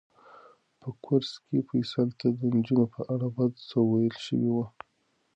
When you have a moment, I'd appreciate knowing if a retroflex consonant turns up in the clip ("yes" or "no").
yes